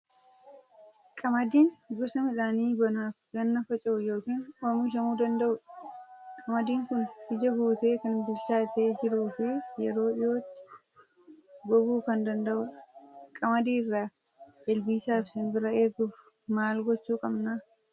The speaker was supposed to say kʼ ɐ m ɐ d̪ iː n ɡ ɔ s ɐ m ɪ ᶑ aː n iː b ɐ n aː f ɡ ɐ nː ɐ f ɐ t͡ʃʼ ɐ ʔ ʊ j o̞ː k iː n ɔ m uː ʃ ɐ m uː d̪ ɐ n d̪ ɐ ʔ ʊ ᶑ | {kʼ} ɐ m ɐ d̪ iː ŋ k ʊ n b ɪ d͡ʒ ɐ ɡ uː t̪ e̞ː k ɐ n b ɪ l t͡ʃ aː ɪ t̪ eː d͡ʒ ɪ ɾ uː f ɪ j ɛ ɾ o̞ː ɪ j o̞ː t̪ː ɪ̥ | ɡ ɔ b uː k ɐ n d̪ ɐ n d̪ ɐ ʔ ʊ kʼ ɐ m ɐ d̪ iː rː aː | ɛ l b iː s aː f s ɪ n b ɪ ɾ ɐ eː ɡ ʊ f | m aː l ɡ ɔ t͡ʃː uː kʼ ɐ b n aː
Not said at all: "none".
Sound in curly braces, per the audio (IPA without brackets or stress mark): kʼ